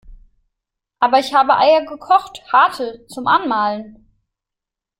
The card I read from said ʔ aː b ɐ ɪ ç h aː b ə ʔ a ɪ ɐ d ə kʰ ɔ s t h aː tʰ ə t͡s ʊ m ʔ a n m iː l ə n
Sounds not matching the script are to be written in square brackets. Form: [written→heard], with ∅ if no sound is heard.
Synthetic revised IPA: ʔ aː b ɐ ɪ ç h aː b ə ʔ a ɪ ɐ [d→ɡ] ə kʰ ɔ [s→χ] t h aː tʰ ə t͡s ʊ m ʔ a n m [iː→aː] l ə n